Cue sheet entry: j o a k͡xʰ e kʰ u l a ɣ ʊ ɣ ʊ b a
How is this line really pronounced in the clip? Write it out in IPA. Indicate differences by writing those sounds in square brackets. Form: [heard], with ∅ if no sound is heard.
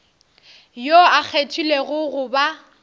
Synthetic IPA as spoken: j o a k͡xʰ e [tʰ] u l [e] ɣ ʊ ɣ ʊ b a